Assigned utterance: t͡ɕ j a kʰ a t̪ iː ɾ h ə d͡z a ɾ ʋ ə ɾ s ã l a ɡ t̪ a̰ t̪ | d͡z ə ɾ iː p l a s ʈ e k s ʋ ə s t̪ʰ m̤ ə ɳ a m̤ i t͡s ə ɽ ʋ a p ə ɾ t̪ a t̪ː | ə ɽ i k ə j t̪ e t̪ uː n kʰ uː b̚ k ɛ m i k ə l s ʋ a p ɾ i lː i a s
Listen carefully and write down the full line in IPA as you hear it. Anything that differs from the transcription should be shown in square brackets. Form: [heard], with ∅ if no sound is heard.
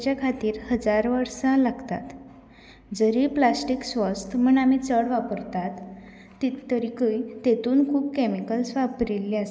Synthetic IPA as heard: t͡ɕ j a kʰ a t̪ iː ɾ h ə d͡z a ɾ ʋ ə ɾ s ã l a ɡ t̪ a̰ t̪ | d͡z ə ɾ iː p l a s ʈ [i] k s ʋ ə s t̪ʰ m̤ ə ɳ a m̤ i t͡s ə ɽ ʋ a p ə ɾ t̪ a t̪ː | ə [ɾ] i k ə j t̪ e t̪ uː n kʰ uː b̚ k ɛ m i k ə l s ʋ a p ɾ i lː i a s